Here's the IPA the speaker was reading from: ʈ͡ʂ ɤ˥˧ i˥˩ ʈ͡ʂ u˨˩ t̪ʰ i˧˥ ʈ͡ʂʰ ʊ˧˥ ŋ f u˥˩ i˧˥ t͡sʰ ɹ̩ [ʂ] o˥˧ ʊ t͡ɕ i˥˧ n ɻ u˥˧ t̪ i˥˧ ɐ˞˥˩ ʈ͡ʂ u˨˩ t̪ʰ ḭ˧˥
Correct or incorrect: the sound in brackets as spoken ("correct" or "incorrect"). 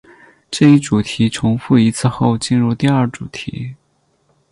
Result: incorrect